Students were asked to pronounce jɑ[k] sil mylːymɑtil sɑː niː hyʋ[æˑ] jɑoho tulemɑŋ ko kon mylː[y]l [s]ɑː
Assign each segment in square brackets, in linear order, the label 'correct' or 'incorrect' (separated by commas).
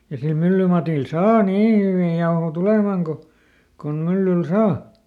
incorrect, incorrect, correct, correct